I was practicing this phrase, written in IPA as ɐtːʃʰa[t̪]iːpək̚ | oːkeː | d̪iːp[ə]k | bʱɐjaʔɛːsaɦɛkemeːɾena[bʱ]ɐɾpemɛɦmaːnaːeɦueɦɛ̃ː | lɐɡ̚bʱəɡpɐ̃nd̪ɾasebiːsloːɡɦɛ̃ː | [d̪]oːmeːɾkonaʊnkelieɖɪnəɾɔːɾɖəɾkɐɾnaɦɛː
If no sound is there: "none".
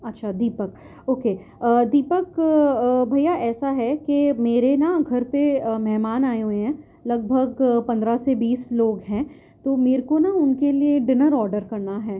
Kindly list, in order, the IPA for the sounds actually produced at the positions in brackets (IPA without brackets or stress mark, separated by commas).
d̪, ə, ɡʱ, t̪